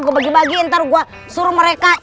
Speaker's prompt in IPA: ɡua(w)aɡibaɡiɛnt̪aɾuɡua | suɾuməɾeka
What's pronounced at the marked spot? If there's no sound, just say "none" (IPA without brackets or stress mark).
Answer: b